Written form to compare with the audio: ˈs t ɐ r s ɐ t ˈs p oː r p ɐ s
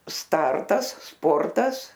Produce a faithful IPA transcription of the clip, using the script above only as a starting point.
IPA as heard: ˈs t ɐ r t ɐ s ˈs p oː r t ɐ s

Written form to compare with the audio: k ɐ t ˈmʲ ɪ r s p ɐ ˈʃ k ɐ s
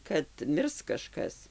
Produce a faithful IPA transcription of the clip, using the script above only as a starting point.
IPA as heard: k ɐ t ˈmʲ ɪ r s k ɐ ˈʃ k ɐ s

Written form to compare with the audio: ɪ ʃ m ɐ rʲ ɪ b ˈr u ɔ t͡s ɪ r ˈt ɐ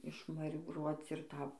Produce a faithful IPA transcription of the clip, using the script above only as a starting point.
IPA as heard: ɪ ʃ m ɐ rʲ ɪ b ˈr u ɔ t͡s ɪ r ˈt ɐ

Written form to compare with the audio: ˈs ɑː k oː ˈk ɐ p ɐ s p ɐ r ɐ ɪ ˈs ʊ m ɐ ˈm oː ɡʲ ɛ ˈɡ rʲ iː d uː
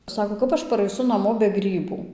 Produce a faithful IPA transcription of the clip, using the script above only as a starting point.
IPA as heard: ˈs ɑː k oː ˈk ɐ p ɐ ʃ p ɐ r ɐ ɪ ˈs ʊ n ɐ ˈm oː bʲ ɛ ˈɡ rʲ iː b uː

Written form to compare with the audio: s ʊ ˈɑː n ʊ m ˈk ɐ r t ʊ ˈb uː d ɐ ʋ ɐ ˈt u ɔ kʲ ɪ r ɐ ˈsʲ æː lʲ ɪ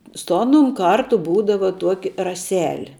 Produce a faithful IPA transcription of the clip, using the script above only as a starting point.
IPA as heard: s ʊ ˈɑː n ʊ m ˈk ɐ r t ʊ ˈb uː d ɐ ʋ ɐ ˈt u ɔ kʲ ɪ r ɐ ˈsʲ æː lʲ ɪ

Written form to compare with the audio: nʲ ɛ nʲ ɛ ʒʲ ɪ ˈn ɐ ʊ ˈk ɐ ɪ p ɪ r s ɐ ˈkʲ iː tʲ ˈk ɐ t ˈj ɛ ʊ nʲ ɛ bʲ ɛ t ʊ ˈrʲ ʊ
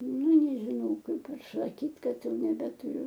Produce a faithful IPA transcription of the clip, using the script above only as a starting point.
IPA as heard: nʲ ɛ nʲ ɛ ʒʲ ɪ ˈn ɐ ʊ ˈk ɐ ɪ p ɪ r s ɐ ˈkʲ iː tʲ ˈk ɐ t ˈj ɛ ʊ nʲ ɛ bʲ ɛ t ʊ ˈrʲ ʊ

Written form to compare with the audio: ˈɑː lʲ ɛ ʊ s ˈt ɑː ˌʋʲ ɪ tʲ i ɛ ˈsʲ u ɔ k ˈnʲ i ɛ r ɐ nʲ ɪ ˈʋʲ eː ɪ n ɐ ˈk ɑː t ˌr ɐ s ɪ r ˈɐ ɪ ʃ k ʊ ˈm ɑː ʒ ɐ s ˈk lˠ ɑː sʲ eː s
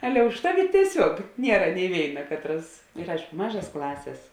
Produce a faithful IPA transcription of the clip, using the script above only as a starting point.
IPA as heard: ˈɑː lʲ ɛ ʊ ʃ ˈt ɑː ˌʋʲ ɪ tʲ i ɛ ˈsʲ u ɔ k ˈnʲ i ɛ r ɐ nʲ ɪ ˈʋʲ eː ɪ n ɐ ˈk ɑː t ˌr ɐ s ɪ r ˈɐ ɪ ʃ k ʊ ˈm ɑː ʒ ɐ s ˈk lˠ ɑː sʲ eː s

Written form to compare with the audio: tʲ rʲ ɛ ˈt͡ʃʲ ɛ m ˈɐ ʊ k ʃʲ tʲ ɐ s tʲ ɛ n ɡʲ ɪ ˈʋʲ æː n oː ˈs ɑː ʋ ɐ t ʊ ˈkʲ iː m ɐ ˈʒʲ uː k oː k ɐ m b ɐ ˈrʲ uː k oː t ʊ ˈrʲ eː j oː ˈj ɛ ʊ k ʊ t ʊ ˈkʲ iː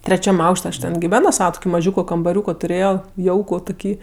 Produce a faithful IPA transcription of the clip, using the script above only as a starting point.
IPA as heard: tʲ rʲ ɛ ˈt͡ʃʲ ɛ m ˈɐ ʊ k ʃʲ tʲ ɐ ʃ tʲ ɛ n ɡʲ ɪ ˈʋʲ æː n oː ˈs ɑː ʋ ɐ t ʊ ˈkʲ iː m ɐ ˈʒʲ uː k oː k ɐ m b ɐ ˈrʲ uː k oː t ʊ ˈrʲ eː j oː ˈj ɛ ʊ k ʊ t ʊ ˈkʲ iː

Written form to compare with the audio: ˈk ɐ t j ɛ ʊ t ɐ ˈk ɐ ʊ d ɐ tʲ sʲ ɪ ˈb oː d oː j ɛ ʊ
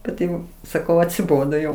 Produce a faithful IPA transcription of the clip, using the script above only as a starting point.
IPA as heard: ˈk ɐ t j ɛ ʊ s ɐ ˈk ɐ ʊ ɐ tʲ sʲ ɪ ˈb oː d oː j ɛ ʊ

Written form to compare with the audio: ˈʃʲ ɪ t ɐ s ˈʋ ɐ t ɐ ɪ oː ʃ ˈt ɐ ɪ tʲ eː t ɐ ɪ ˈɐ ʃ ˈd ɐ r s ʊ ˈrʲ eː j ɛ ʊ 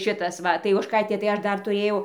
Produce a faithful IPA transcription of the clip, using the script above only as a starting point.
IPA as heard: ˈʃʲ ɪ t ɐ s ˈʋ ɐ t ɐ ɪ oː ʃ ˈk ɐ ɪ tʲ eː t ɐ ɪ ˈɐ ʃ ˈd ɐ r t ʊ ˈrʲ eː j ɛ ʊ

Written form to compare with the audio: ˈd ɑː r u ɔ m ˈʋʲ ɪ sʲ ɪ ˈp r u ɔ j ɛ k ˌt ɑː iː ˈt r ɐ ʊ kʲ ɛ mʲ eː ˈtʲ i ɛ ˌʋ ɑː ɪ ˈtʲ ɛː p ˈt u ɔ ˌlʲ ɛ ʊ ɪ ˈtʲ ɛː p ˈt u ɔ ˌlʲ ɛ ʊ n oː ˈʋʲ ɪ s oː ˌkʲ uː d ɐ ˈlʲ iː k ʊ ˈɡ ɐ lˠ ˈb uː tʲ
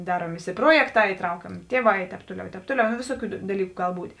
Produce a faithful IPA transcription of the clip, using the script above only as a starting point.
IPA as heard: ˈd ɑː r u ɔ m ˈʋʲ ɪ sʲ ɪ ˈp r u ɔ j ɛ k ˌt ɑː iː ˈt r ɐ ʊ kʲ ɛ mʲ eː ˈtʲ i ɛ ˌʋ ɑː ɪ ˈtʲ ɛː p ˈt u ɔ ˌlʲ ɛ ʊ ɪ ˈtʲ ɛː p ˈt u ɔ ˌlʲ ɛ ʊ n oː ˈʋʲ ɪ s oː ˌkʲ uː d ɐ ˈlʲ iː k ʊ ˈɡ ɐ lˠ ˈb uː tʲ

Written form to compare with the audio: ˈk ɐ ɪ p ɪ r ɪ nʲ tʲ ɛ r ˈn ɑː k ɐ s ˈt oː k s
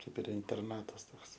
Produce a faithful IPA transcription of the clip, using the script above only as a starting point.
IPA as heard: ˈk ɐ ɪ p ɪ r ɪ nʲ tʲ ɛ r ˈn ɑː t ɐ s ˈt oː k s

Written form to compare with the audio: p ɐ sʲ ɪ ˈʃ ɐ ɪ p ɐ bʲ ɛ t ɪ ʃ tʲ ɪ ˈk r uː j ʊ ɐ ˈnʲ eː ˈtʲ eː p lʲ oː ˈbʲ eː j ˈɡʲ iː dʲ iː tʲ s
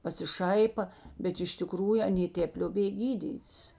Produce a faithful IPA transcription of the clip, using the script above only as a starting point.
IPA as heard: p ɐ sʲ ɪ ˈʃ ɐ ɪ p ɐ bʲ ɛ t ɪ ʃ tʲ ɪ ˈk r uː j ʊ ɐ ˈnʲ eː ˈtʲ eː p lʲ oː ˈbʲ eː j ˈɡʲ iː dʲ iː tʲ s

